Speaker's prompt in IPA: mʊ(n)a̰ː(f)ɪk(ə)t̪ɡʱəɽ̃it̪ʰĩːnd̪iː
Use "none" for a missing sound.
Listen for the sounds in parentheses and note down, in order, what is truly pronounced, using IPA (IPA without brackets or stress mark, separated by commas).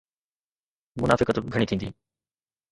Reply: n, f, ə